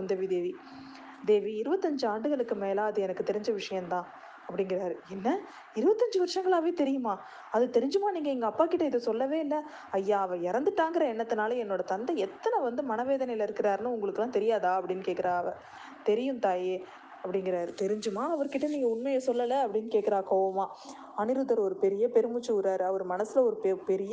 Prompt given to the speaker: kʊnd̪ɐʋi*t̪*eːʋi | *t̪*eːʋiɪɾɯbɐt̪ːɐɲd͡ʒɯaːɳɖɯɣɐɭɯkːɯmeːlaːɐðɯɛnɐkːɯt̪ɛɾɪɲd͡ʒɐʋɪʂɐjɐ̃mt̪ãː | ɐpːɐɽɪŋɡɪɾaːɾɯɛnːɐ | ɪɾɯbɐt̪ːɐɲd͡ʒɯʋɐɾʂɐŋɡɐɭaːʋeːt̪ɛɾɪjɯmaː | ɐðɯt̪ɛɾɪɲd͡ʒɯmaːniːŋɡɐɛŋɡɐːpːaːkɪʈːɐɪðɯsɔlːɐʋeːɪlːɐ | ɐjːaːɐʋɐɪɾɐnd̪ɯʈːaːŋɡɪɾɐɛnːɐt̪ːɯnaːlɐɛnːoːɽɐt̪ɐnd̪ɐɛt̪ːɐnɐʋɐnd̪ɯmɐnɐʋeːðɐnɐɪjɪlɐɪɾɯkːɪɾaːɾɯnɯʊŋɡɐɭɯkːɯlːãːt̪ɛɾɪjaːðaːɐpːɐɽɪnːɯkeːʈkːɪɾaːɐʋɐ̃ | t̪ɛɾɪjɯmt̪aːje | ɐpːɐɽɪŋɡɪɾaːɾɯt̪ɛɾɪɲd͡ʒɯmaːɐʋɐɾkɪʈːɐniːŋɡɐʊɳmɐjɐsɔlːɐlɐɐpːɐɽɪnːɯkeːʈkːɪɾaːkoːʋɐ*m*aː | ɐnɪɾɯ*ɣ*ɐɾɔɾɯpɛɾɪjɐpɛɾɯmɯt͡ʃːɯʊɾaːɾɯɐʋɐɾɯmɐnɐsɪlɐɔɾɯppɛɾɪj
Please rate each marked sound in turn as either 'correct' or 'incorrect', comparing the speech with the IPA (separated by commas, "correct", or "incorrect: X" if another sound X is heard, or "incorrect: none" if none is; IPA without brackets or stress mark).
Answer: incorrect: d̪, incorrect: d̪, correct, incorrect: ð